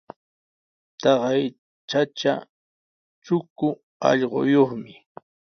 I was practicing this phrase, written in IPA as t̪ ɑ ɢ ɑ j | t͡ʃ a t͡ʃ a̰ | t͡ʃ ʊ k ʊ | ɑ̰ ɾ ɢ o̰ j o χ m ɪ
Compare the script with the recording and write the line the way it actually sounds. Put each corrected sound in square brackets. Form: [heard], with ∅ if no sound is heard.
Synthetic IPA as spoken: t̪ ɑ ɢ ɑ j | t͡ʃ a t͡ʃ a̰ | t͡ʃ ʊ k ʊ | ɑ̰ [ʎ] ɢ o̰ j o χ m ɪ